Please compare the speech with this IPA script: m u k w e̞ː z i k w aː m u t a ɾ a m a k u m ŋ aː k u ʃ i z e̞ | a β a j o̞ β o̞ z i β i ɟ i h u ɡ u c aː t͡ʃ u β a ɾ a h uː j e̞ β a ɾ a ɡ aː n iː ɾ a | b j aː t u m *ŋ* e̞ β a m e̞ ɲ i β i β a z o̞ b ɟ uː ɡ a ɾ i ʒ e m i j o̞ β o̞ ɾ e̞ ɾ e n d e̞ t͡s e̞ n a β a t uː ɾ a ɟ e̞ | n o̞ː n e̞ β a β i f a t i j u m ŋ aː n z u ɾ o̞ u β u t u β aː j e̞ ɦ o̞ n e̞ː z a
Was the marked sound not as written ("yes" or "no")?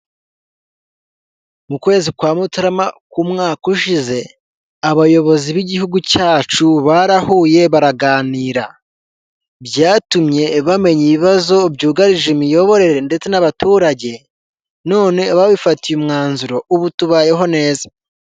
yes